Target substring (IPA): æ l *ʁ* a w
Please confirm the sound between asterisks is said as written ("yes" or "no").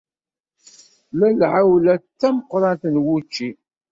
no